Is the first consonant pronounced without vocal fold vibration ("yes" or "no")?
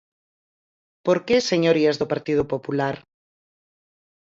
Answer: yes